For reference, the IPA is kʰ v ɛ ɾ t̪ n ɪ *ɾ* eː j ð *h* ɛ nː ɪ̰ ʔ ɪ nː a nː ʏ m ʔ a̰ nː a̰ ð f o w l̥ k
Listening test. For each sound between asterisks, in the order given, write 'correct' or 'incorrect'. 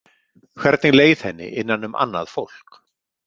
incorrect, correct

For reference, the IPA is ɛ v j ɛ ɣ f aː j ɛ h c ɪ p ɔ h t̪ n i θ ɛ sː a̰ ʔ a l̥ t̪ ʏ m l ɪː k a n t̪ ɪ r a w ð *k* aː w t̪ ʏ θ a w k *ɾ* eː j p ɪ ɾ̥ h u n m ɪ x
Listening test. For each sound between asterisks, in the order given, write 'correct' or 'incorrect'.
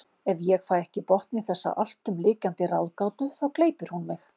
correct, incorrect

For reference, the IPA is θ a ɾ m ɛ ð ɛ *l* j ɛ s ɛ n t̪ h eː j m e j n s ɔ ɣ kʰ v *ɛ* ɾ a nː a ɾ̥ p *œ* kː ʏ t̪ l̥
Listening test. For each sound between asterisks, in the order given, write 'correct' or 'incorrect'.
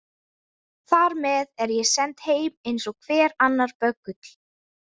incorrect, incorrect, correct

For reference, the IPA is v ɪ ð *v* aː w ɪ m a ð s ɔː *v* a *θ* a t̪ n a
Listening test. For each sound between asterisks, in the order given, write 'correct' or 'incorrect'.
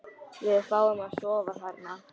incorrect, correct, correct

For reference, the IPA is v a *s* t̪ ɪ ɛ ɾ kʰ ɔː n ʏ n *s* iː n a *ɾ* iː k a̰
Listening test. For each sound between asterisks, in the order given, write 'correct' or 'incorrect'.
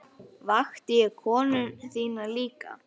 incorrect, incorrect, incorrect

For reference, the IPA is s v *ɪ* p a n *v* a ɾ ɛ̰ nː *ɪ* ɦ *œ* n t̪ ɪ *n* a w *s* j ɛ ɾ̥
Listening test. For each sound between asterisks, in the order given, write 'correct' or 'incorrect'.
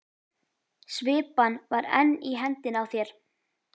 incorrect, correct, incorrect, incorrect, correct, incorrect

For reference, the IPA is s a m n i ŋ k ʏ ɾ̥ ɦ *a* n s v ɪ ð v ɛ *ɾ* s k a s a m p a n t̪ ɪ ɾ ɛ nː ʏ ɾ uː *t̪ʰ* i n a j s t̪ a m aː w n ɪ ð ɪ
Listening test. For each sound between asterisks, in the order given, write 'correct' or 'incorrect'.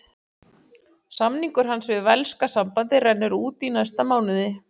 correct, incorrect, incorrect

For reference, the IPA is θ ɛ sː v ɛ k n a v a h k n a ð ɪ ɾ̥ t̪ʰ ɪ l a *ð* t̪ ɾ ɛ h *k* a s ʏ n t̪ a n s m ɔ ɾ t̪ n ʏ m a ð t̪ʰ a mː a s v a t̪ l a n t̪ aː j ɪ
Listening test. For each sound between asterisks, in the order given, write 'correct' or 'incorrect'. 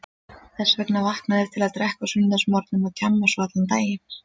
correct, correct

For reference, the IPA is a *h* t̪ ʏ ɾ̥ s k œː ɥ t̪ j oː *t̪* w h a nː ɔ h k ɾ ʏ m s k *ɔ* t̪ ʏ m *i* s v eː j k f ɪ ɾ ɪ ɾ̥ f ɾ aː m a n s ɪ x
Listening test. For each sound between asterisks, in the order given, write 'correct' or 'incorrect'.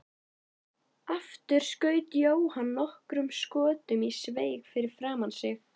incorrect, incorrect, incorrect, correct

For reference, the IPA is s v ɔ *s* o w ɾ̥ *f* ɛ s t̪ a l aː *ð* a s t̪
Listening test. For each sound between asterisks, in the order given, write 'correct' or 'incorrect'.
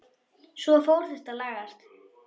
incorrect, incorrect, incorrect

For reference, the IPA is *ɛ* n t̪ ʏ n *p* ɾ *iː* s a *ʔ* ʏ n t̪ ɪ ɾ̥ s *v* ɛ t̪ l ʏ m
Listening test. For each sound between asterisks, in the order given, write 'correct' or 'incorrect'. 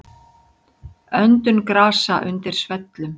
incorrect, incorrect, incorrect, correct, correct

